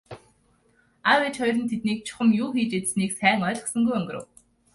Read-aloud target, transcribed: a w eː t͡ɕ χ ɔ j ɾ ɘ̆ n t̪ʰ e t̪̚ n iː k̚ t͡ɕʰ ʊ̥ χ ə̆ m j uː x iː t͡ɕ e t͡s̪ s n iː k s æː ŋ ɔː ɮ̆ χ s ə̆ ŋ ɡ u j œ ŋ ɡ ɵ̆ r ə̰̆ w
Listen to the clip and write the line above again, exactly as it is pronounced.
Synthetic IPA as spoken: a w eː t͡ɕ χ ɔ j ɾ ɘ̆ n t̪ʰ e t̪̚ n iː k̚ t͡ɕʰ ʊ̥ χ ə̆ m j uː x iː t͡ɕ e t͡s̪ s n iː k s æː ŋ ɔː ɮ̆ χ s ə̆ ŋ ɡ u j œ ŋ ɡ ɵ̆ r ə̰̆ w